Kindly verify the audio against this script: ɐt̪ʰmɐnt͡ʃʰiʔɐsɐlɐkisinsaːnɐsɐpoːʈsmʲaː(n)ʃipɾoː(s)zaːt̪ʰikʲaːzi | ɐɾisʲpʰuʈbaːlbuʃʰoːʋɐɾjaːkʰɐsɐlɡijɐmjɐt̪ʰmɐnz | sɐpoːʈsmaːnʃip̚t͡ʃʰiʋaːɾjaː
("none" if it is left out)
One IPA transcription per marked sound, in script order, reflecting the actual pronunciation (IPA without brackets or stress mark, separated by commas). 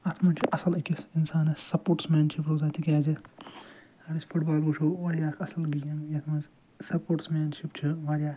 n, none